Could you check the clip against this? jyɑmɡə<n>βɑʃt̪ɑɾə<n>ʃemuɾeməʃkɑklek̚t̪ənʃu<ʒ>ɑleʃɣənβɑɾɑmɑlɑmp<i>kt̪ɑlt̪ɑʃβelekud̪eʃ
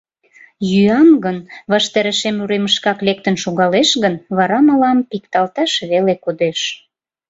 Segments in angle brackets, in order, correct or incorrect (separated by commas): correct, incorrect, incorrect, correct